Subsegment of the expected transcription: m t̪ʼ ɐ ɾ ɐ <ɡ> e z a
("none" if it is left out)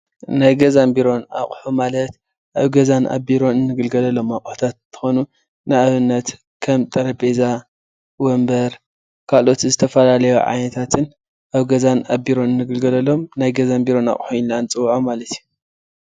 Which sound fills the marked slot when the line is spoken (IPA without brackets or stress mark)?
b